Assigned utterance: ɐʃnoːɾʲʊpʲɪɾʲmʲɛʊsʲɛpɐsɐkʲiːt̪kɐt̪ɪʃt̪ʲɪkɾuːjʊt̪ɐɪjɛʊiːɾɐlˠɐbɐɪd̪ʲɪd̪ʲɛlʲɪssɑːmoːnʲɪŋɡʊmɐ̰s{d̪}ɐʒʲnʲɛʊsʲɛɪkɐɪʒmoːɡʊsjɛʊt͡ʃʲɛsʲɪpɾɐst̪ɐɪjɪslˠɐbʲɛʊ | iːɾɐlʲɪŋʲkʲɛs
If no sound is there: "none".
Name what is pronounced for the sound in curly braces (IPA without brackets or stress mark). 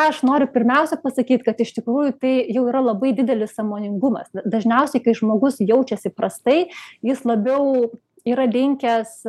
d̪